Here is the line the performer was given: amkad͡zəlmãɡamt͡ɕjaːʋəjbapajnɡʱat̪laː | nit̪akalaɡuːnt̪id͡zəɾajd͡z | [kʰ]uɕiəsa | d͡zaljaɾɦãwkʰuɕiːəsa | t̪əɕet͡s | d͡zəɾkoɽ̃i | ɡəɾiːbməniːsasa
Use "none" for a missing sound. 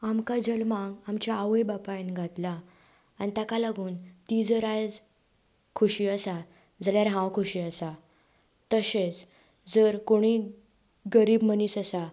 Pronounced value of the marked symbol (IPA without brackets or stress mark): kʰ